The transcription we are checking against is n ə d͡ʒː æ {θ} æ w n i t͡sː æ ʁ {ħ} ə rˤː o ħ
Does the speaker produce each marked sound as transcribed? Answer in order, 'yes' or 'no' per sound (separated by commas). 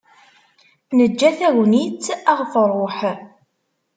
yes, no